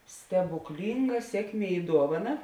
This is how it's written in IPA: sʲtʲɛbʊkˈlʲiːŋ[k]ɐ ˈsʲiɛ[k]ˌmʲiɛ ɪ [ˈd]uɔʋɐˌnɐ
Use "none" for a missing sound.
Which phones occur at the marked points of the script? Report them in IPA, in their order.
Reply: ɡ, k, d

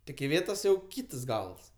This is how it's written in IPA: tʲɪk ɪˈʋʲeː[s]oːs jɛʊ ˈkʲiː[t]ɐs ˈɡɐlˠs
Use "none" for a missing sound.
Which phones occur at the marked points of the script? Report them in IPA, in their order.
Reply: t, t

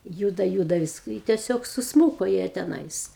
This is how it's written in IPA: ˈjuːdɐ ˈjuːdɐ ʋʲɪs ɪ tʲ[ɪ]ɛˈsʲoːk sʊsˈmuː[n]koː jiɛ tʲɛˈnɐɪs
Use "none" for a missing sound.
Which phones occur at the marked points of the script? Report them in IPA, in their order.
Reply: i, none

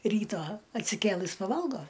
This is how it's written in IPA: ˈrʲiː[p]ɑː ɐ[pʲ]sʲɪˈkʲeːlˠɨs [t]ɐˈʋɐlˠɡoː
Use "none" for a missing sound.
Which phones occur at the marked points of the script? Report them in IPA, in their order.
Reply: t, tʲ, p

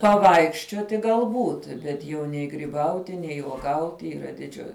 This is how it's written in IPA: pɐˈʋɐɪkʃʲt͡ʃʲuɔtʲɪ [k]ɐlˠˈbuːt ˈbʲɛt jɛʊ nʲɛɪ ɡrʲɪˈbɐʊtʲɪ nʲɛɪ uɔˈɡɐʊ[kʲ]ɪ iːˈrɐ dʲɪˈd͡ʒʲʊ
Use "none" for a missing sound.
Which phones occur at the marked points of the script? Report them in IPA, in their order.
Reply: ɡ, tʲ

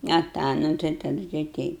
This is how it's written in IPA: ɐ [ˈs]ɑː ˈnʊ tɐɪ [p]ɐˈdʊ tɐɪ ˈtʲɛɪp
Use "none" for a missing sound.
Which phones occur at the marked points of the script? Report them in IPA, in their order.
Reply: t, t

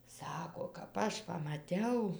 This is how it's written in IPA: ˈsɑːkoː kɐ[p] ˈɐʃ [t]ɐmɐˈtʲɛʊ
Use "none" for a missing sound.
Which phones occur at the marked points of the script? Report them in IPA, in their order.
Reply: p, p

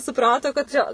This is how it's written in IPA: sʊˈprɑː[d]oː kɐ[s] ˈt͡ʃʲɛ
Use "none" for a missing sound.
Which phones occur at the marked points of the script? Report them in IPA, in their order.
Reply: t, t

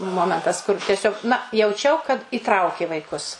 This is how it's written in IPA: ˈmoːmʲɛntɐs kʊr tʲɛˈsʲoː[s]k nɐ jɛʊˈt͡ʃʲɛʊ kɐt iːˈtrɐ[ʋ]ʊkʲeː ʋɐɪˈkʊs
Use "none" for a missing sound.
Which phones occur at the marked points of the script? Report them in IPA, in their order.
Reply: none, none

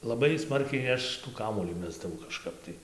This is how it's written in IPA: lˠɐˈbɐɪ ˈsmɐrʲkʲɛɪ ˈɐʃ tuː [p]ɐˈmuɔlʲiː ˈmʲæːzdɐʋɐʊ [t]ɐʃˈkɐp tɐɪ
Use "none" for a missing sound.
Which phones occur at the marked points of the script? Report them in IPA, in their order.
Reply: k, k

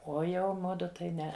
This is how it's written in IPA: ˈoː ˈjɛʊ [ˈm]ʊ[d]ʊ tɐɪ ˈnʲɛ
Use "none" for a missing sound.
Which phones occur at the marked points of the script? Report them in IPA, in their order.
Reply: m, d

